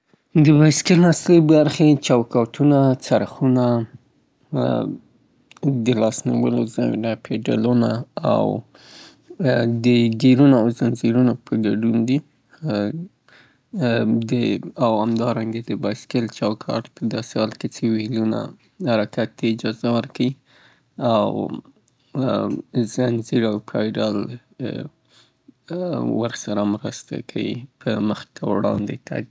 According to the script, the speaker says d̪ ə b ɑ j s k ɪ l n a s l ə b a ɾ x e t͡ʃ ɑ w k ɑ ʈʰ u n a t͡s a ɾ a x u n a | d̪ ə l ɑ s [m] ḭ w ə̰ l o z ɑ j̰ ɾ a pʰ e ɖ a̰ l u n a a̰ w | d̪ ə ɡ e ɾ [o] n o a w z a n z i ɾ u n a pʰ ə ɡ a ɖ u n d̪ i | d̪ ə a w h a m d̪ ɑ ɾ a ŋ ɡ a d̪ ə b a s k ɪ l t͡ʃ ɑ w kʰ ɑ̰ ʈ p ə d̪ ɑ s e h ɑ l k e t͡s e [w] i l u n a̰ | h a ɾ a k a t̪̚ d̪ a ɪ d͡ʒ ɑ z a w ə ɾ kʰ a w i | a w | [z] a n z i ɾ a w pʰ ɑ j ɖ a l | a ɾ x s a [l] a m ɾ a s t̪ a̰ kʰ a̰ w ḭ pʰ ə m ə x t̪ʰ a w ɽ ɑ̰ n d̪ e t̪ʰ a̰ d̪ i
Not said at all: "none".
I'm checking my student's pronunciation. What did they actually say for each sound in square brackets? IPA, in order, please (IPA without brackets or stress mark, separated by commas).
n, u, w, z, ɾ